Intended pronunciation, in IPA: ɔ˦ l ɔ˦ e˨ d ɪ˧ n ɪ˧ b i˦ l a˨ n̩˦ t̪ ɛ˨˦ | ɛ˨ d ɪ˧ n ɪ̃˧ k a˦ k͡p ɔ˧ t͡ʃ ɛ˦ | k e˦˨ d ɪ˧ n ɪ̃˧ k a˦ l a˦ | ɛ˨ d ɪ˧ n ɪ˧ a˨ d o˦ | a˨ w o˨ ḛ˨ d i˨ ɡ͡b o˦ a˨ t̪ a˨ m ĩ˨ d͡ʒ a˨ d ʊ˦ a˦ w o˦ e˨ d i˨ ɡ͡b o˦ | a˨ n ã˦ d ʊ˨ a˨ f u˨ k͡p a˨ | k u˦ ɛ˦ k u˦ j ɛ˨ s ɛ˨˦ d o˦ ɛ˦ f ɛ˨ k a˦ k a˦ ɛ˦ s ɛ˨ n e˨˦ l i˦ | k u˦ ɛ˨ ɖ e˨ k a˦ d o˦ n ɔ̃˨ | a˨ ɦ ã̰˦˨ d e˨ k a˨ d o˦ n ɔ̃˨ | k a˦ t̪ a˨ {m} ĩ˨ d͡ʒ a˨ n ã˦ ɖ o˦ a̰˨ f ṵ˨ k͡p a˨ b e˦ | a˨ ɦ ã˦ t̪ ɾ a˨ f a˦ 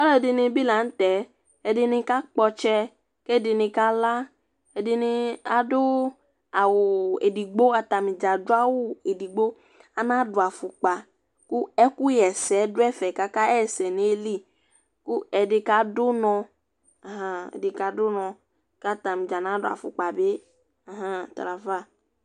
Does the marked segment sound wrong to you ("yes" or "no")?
no